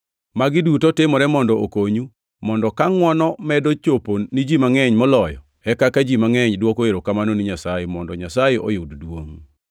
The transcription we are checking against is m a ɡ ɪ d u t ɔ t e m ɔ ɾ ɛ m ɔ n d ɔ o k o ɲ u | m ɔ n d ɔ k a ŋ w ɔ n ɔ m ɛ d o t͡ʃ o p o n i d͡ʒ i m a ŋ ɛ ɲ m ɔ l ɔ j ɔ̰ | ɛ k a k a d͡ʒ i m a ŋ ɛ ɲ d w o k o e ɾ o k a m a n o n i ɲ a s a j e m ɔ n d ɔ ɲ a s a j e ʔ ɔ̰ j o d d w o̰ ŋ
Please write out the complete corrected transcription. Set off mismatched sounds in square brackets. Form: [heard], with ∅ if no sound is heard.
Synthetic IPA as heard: m a ɡ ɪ d u t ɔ t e m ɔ ɾ ɛ m ɔ n d ɔ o k o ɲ u | m ɔ n d ɔ k a ŋ w ɔ n ɔ m ɛ d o t͡ʃ o p o n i d͡ʒ i m a ŋ ɛ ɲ m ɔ l ɔ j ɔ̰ | ɛ k a k a d͡ʒ i m a ŋ ɛ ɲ d w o k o e ɾ o k a m a n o n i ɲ a s a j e m ɔ n d ɔ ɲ a s a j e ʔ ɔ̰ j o d d w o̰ ŋ

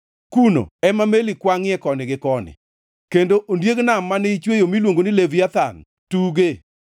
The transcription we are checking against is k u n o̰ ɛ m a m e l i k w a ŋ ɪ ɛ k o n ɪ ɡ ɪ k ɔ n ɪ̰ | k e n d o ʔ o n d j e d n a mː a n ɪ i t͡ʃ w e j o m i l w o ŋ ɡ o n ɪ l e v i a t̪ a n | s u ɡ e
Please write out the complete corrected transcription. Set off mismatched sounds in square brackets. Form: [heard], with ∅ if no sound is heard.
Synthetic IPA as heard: k u n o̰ ɛ m a m e l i k w a ŋ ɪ ɛ k [ɔ] n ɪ ɡ ɪ k ɔ n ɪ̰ | k e n d o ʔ o n d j e [ɡ] n a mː a n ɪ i t͡ʃ w e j o m i l w o ŋ ɡ o n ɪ l e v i a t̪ a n | [t] u ɡ e

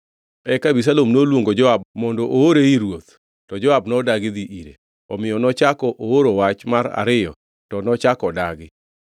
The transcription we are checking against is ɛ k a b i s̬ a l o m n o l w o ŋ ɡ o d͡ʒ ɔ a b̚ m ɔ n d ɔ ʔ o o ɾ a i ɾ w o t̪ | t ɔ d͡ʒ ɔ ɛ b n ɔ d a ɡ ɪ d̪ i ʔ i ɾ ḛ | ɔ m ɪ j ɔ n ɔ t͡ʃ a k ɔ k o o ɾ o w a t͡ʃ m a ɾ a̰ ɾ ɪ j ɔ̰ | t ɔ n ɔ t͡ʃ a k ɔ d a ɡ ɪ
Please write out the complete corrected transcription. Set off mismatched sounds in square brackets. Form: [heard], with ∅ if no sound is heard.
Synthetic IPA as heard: ɛ k a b i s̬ a l o m n o l w o ŋ ɡ o d͡ʒ ɔ a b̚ m ɔ n d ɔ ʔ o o ɾ [e] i ɾ w o t̪ | t ɔ d͡ʒ ɔ [a] b n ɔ d a ɡ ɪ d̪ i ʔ i ɾ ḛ | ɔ m ɪ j ɔ n ɔ t͡ʃ a k ɔ [ʔ] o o ɾ o w a t͡ʃ m a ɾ a̰ ɾ ɪ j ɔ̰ | t ɔ n ɔ t͡ʃ a k ɔ d a ɡ ɪ

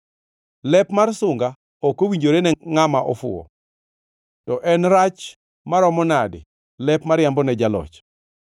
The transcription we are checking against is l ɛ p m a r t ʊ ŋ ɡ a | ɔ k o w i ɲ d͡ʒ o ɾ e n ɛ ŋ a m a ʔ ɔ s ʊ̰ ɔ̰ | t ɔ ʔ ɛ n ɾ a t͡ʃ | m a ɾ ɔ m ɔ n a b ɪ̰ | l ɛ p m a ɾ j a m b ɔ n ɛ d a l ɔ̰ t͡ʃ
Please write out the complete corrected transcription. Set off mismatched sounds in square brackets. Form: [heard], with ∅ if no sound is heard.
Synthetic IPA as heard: l ɛ p m a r [s] ʊ ŋ ɡ a | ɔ k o w i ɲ d͡ʒ o ɾ e n ɛ ŋ a m a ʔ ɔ [f] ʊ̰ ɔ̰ | t ɔ ʔ ɛ n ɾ a t͡ʃ | m a ɾ ɔ m ɔ n a [d] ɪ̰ | l ɛ p m a ɾ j a m b ɔ n ɛ [d͡ʒ] a l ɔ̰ t͡ʃ

